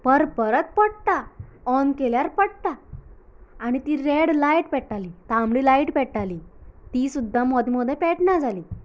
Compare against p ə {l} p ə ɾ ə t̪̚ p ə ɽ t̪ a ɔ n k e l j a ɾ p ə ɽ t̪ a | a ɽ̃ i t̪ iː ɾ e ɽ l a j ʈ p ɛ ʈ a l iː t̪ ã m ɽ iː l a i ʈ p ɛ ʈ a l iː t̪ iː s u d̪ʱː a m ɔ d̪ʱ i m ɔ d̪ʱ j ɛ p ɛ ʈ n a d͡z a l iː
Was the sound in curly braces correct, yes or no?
no